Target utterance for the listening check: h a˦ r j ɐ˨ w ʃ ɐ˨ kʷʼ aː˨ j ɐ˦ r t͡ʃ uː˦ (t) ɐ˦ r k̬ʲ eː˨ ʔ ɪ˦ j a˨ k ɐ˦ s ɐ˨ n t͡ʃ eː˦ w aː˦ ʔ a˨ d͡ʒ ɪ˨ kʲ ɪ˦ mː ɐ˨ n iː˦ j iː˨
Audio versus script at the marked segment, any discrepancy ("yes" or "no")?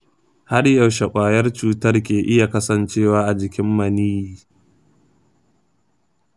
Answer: no